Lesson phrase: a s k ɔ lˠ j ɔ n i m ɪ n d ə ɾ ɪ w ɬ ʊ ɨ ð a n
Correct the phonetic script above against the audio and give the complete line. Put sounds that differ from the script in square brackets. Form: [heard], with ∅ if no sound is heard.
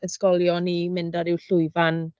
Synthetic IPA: [ə] s k ɔ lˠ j ɔ n i m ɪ n d [a] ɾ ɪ w ɬ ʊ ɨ [v] a n